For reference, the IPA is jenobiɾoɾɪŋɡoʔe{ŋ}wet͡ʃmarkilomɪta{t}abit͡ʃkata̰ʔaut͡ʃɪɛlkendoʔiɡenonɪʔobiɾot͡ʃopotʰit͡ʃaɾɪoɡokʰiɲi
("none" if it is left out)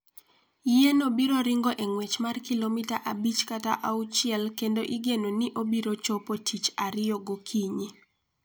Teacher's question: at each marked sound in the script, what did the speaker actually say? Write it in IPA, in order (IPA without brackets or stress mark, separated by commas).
ŋ, ʔ